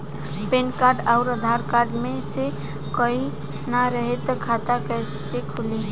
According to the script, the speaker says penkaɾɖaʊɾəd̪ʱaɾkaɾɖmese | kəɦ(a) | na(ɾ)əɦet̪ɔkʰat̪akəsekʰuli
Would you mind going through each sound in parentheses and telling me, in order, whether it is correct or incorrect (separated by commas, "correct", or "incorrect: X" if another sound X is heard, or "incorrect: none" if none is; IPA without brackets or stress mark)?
incorrect: i, correct